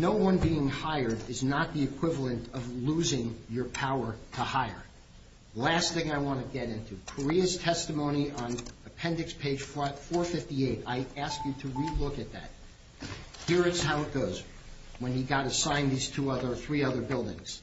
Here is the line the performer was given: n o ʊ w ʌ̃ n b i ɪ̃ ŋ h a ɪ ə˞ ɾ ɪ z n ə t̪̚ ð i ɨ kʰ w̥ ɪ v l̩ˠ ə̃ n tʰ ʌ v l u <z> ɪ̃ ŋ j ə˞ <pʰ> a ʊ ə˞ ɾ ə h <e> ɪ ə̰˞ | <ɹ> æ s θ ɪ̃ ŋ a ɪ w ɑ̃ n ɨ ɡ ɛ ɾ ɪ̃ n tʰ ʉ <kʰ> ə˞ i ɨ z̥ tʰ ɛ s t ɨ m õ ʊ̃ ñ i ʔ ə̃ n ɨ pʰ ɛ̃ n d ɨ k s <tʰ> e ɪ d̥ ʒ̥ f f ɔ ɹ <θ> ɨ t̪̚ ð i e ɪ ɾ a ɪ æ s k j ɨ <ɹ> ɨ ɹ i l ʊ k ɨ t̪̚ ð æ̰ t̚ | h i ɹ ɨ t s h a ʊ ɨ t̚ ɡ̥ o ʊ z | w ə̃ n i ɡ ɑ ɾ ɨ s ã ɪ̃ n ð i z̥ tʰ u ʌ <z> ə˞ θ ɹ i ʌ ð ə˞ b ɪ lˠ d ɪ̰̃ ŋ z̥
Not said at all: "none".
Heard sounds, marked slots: z, pʰ, a, l, kʰ, pʰ, θ, ɾ, ð

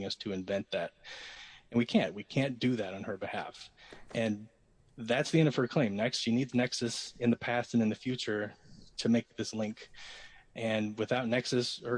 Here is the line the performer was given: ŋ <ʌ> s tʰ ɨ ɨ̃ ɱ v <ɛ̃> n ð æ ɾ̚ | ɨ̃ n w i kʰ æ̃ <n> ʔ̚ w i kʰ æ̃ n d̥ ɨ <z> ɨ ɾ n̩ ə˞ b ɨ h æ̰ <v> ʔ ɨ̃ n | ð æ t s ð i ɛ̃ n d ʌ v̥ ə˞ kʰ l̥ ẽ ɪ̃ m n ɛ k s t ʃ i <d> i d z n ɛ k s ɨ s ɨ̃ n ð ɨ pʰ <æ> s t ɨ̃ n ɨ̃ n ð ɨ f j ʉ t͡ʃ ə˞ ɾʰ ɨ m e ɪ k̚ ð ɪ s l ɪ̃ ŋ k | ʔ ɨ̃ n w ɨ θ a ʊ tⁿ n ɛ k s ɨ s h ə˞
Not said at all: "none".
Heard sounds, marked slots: ʌ, ɛ̃, n, ð, f, n, æ

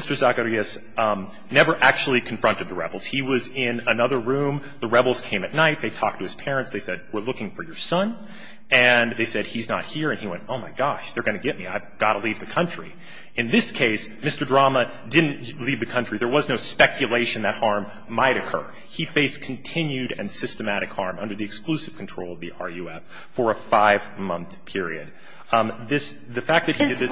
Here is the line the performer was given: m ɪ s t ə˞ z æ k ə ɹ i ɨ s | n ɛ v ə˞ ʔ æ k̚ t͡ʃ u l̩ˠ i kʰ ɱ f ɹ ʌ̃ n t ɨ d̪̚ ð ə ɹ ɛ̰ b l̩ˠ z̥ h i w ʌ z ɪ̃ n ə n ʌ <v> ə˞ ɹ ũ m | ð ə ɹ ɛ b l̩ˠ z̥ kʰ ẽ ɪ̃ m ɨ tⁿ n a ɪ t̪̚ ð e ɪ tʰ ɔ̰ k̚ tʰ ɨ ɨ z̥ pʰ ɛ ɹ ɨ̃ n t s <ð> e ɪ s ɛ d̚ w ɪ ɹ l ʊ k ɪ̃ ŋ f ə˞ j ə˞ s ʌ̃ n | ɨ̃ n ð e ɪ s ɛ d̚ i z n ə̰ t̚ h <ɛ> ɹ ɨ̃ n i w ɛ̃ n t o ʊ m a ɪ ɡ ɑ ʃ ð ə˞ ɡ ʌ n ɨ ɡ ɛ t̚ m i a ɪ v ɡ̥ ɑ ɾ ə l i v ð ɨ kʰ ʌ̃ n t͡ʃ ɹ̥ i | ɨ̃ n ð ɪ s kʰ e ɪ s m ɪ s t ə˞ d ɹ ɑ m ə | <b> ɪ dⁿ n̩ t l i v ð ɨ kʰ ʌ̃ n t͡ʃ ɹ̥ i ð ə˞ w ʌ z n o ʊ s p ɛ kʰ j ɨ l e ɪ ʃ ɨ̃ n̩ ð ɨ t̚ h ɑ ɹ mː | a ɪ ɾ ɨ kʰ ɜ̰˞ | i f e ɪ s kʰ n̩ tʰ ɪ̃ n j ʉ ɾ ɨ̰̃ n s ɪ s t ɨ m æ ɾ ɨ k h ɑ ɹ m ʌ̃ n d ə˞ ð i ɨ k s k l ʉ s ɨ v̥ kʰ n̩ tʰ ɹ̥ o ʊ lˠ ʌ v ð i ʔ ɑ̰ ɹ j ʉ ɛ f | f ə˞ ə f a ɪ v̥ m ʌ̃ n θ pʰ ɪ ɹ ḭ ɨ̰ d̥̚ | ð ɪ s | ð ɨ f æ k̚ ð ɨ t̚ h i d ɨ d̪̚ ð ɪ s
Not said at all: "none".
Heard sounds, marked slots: ð, ð, i, d

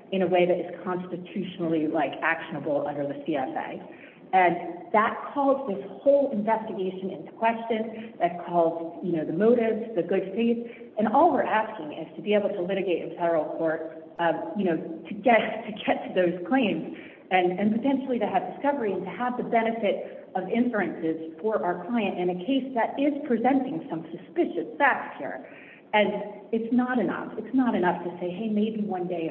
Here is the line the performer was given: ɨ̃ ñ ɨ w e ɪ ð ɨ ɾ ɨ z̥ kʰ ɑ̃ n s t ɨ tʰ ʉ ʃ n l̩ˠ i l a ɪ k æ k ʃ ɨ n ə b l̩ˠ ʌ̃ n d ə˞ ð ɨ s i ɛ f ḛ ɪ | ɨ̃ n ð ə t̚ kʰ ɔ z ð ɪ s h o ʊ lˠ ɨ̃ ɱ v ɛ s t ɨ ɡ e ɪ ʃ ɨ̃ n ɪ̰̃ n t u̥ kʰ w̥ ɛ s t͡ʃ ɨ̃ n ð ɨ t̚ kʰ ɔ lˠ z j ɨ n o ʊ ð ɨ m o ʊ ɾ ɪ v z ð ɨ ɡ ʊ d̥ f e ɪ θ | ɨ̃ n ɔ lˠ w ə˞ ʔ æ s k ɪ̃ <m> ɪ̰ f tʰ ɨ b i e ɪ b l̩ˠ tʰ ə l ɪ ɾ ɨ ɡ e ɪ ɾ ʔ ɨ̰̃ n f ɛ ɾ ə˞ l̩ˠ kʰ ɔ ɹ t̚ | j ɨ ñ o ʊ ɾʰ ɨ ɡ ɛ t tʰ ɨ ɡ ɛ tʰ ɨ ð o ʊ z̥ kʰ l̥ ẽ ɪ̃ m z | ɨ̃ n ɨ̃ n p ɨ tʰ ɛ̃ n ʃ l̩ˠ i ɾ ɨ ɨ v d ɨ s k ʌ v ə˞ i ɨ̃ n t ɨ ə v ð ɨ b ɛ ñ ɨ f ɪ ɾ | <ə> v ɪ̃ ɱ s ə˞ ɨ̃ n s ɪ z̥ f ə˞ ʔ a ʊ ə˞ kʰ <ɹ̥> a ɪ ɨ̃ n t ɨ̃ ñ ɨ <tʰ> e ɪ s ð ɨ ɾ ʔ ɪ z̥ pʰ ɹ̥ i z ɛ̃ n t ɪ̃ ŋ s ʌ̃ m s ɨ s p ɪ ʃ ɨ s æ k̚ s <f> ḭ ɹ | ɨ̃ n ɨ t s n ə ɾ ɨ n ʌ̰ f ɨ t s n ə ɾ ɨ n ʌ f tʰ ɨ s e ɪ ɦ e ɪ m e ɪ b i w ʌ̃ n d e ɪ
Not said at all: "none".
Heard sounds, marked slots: ŋ, ʌ, l̥, kʰ, h

